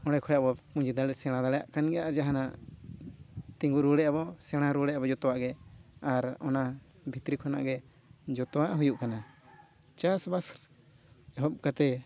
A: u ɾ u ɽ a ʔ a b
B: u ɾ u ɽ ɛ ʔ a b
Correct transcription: B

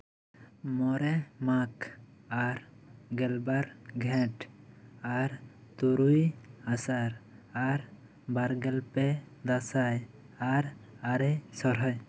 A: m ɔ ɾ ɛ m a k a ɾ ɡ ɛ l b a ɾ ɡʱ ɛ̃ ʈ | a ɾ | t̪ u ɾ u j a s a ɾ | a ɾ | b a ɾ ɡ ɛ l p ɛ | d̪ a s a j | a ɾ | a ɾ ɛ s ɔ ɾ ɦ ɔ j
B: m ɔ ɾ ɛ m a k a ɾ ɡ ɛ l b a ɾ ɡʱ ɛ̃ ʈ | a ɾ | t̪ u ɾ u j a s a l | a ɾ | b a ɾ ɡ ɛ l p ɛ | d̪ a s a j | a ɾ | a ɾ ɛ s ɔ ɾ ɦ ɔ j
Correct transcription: A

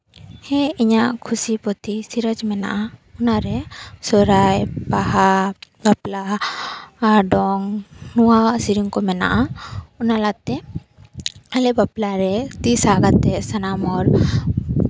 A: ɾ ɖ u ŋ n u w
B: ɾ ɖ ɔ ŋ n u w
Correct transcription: B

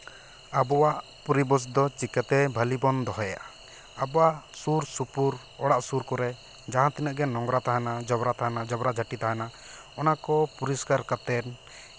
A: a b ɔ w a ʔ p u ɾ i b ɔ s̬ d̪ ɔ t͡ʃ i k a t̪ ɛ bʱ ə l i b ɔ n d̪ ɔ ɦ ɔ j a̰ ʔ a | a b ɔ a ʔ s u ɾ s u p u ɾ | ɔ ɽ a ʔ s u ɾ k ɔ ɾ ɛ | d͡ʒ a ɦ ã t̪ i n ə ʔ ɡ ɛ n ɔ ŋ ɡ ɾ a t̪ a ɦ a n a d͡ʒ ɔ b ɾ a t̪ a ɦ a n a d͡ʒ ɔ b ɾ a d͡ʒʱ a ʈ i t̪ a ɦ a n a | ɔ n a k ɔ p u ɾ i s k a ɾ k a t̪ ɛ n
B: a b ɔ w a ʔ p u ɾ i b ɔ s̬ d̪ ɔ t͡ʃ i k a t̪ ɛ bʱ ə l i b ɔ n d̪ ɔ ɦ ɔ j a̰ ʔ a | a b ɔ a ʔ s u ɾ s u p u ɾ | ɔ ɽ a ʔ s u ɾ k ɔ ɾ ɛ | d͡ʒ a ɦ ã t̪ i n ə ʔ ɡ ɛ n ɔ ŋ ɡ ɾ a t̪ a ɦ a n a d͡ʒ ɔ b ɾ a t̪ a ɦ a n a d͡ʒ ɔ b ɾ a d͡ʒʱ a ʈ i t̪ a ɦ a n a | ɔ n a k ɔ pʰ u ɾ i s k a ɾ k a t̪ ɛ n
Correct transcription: A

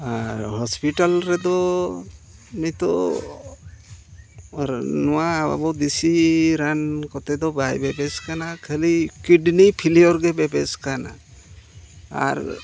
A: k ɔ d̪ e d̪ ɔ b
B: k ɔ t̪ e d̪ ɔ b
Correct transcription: B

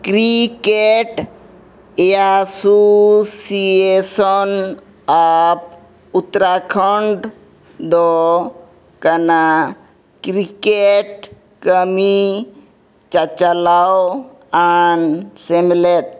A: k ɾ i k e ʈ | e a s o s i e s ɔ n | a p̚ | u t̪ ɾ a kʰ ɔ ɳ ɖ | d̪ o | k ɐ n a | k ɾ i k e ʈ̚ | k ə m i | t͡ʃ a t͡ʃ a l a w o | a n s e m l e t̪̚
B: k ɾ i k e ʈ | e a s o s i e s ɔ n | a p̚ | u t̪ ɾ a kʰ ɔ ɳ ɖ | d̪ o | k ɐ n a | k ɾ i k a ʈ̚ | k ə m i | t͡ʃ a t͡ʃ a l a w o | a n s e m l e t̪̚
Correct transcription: A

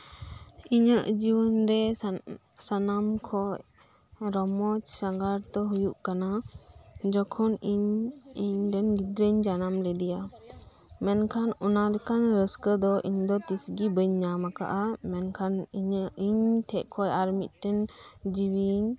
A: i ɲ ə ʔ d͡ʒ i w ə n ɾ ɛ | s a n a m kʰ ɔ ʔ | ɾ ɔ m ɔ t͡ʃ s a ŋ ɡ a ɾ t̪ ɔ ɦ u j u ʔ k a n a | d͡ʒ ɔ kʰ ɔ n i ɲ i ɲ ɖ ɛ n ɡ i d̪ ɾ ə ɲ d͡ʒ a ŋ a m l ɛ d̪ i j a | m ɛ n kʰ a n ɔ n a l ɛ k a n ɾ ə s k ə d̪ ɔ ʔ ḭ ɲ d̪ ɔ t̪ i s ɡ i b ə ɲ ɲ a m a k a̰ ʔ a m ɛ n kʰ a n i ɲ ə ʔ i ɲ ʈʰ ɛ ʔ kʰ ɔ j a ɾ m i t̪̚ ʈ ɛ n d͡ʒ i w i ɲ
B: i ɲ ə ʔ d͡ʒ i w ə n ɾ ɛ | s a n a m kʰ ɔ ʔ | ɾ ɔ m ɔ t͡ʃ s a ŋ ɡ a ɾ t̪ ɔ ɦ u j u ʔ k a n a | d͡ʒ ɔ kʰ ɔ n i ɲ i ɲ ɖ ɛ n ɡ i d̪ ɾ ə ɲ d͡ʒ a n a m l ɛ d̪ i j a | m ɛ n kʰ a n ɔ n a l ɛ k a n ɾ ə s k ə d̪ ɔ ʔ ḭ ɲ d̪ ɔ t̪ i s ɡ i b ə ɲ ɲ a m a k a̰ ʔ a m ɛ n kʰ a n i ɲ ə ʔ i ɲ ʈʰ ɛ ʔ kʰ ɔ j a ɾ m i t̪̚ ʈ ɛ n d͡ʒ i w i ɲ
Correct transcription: B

